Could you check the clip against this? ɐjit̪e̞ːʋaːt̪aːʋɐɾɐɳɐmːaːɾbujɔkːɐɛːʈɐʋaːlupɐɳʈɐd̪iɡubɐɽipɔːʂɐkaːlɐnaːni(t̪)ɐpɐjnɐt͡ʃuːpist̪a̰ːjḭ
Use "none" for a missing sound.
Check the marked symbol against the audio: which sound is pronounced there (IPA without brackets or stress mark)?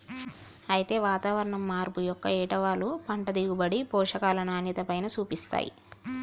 t̪